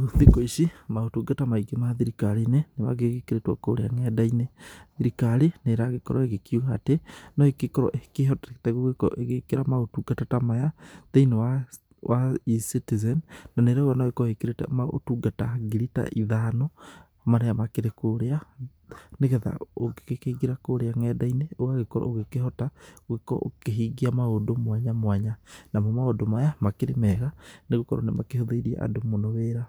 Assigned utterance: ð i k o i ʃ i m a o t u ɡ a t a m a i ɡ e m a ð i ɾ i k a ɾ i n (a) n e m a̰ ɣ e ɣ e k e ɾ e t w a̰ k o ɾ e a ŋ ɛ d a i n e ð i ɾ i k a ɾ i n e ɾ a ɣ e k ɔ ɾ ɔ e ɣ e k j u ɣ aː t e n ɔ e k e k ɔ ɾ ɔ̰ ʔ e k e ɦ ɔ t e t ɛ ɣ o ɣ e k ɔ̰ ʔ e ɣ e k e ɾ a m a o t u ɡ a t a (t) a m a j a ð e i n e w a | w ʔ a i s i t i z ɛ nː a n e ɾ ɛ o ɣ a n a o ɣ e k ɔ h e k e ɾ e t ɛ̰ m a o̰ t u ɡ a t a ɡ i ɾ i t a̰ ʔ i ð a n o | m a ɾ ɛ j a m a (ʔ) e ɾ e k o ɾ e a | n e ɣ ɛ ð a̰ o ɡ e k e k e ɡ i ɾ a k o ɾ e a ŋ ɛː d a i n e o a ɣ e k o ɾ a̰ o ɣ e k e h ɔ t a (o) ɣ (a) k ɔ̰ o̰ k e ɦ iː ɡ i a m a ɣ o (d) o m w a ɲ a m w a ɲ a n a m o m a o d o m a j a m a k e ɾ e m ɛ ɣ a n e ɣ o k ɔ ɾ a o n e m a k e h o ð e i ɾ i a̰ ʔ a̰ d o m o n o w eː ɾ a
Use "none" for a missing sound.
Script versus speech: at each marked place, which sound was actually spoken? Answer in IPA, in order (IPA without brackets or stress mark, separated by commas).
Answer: e, t, k, o, e, d